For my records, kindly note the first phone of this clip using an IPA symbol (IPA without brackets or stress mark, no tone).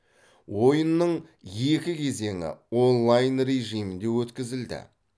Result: w